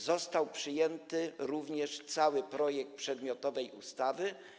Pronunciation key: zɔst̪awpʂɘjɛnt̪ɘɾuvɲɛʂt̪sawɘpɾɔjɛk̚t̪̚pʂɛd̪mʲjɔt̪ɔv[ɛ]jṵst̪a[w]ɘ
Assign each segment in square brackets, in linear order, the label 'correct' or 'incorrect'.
correct, incorrect: v

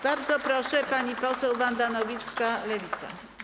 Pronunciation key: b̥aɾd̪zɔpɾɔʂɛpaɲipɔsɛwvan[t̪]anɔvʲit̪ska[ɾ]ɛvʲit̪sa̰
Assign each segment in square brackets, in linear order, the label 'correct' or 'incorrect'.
incorrect: d̪, incorrect: l

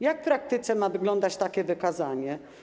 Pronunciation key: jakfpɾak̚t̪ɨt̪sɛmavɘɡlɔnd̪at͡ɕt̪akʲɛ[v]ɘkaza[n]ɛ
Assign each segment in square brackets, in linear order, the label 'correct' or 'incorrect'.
correct, incorrect: ɲ

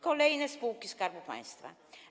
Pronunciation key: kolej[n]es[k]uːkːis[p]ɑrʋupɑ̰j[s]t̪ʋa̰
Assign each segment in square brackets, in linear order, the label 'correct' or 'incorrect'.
correct, incorrect: p, incorrect: k, correct

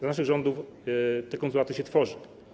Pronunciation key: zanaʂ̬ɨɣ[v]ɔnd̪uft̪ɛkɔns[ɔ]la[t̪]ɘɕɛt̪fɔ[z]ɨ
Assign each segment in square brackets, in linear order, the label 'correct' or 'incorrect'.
incorrect: ʐ, incorrect: u, correct, incorrect: ʐ

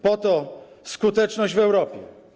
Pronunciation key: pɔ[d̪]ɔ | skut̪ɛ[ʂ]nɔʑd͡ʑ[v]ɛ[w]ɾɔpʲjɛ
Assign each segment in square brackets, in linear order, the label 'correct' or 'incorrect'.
incorrect: t̪, incorrect: t͡ʂ, correct, correct

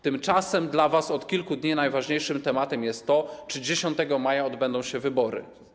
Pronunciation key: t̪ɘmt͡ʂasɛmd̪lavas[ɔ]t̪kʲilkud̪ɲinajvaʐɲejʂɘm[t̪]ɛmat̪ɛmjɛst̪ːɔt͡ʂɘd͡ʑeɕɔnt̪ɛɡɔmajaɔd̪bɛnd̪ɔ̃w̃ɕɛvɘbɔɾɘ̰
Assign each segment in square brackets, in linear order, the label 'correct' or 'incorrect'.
correct, correct

